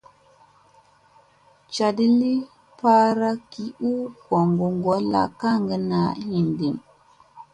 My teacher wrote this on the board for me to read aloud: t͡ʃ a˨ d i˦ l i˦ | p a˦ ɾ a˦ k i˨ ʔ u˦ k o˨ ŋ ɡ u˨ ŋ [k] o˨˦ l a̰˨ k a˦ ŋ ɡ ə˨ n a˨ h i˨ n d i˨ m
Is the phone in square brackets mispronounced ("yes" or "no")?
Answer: yes